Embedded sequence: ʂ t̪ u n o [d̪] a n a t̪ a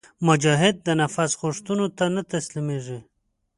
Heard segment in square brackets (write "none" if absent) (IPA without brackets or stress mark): t̪